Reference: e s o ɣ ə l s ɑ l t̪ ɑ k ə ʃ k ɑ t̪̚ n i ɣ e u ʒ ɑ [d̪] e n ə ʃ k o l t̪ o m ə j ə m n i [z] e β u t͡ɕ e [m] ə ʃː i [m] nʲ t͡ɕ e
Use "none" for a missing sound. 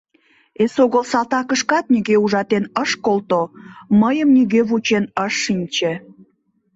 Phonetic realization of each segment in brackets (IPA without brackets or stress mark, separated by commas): t̪, ɣ, n, none